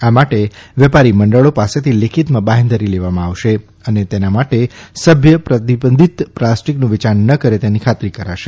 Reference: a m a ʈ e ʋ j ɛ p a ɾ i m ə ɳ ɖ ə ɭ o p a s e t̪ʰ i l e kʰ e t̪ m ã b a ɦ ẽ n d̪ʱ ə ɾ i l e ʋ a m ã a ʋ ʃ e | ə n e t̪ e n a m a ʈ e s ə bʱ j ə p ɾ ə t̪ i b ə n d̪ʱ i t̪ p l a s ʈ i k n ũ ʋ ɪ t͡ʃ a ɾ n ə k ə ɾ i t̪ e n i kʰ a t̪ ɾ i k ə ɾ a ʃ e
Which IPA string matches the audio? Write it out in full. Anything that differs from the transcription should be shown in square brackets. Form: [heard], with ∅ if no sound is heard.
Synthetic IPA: a m a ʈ e ʋ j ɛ p a ɾ i m ə ɳ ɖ ə ɭ o p a s e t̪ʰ i l e kʰ [i] t̪ m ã b a ɦ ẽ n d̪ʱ ə ɾ i l e ʋ a m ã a ʋ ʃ e | ə n e t̪ e n a m a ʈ e s ə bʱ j ə p ɾ ə t̪ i b ə n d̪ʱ i t̪ p l a s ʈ i k n ũ ʋ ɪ t͡ʃ a ɾ n ə k ə ɾ [e] t̪ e n i kʰ a t̪ ɾ i k ə ɾ a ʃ e